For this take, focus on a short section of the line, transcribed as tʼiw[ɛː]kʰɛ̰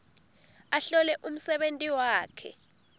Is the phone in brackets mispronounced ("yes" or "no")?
yes